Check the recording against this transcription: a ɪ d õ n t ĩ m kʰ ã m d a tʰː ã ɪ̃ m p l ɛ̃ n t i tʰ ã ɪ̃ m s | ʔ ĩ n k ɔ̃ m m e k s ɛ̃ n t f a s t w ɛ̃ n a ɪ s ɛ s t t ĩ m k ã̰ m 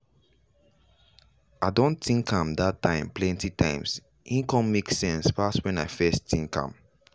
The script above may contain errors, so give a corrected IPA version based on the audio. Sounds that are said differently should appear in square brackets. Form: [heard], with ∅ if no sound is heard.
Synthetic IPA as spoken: a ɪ d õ n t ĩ [ŋ] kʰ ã m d a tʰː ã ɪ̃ m p l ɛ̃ n t i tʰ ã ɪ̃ m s | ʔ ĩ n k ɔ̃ m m e k s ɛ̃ n [s] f a s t w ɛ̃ n a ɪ [f] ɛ s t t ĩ [ŋ] k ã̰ m